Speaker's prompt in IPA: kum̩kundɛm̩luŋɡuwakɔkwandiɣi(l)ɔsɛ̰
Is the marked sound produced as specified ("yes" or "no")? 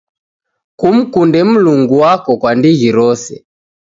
no